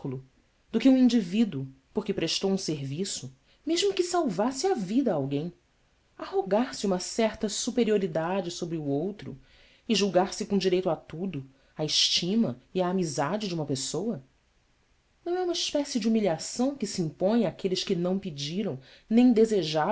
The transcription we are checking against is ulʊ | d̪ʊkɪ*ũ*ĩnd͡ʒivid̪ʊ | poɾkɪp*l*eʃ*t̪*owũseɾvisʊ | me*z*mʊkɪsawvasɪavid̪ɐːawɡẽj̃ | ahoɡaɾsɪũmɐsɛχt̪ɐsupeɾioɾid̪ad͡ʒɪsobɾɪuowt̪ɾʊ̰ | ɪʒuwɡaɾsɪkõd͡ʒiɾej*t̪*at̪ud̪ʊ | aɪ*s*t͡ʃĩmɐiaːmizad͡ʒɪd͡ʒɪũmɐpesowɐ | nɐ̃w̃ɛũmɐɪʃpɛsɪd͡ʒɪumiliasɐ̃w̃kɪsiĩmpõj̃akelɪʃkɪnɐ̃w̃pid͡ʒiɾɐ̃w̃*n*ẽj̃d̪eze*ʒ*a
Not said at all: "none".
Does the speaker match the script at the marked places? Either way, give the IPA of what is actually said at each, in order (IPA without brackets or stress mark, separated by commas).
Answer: ũ, ɾ, t̪, ʒ, t̪, ʃ, n, ʒ